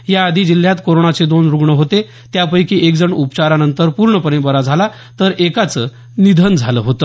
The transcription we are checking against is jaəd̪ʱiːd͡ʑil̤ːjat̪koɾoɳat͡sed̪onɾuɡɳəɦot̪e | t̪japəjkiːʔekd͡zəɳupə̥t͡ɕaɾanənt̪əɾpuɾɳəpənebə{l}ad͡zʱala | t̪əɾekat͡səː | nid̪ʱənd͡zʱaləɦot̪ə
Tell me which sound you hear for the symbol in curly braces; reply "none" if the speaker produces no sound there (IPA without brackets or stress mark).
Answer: ɾ